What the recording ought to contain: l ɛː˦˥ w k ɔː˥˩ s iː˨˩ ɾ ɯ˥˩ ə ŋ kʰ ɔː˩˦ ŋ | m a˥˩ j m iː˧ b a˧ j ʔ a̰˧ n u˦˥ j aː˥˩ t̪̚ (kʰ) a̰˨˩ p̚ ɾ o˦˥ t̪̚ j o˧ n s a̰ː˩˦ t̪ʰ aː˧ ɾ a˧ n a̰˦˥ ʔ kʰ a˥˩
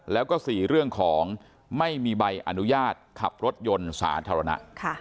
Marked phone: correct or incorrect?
correct